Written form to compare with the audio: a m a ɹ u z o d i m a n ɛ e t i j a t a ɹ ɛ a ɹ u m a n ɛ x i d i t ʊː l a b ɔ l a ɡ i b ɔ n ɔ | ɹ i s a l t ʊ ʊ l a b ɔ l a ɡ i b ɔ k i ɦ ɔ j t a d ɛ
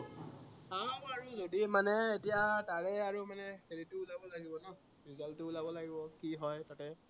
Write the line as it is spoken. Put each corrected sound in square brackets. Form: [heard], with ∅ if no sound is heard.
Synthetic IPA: a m a ɹ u z o d i m a n ɛ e t i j a t a ɹ ɛ a ɹ u m a n ɛ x [e] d i t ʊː l a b ɔ l a ɡ i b ɔ n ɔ | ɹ i [z] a l t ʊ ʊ l a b ɔ l a ɡ i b ɔ k i ɦ ɔ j t a [t] ɛ

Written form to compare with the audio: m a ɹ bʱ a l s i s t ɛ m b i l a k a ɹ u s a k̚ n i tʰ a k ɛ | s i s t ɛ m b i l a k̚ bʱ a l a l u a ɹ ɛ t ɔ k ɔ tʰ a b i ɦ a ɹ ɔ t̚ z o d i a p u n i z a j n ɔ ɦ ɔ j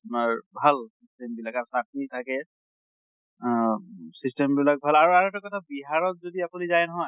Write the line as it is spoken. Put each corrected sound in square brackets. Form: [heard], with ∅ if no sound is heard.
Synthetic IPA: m a ɹ bʱ a l s i s t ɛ m b i l a k a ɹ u s a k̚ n i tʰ a k ɛ | s i s t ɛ m b i l a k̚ bʱ a l a [ɹ] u a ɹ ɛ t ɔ k ɔ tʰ a b i ɦ a ɹ ɔ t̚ z o d i a p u n i z a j n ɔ ɦ ɔ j

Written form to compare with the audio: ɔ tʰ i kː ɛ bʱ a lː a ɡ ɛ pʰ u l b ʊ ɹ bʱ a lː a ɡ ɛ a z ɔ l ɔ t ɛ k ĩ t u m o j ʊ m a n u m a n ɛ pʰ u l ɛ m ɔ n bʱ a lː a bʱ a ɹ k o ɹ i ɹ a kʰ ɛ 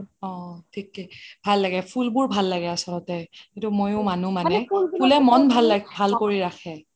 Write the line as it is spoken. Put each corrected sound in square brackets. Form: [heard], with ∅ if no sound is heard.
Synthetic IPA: ɔ tʰ i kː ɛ bʱ a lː a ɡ ɛ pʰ u l b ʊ ɹ bʱ a lː a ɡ ɛ a [s] ɔ l ɔ t ɛ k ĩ t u m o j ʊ m a n u m a n ɛ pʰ u l ɛ m ɔ n bʱ a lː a bʱ a [l] k o ɹ i ɹ a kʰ ɛ

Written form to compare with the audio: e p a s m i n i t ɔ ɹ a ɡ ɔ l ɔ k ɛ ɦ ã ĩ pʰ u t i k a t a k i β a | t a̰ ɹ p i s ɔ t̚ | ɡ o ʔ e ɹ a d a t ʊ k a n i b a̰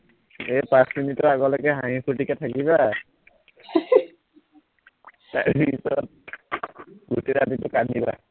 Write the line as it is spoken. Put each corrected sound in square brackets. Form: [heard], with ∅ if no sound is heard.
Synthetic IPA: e p a s m i n i t ɔ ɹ a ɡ ɔ l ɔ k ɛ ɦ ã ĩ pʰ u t i k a [tʰ] a k i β a | t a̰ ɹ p i s ɔ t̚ | ɡ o [t] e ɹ a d [i] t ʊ k a n i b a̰

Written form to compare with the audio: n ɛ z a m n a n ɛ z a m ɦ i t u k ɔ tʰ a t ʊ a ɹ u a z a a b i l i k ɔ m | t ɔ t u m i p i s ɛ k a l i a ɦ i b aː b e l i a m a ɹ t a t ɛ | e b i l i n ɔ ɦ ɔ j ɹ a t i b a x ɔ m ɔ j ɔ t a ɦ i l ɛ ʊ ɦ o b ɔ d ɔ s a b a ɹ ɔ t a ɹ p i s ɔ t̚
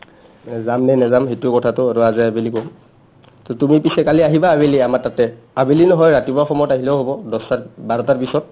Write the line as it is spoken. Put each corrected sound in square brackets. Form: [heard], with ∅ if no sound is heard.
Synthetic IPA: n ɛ z a m n [ɛ] n ɛ z a m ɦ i t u k ɔ tʰ a t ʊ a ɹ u a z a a b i l i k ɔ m | t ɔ t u m i p i s ɛ k a l i a ɦ i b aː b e l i a m a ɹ t a t ɛ | [a] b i l i n ɔ ɦ ɔ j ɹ a t i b a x ɔ m ɔ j ɔ t a ɦ i l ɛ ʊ ɦ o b ɔ d ɔ s a b a ɹ ɔ t a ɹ p i s ɔ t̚

